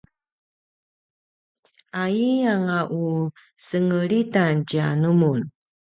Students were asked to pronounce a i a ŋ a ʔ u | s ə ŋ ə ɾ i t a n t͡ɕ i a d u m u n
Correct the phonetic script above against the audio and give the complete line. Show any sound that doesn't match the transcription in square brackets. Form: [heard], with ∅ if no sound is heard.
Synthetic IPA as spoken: a i a ŋ a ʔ u | s ə ŋ ə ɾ i t a n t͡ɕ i a [n] u m u n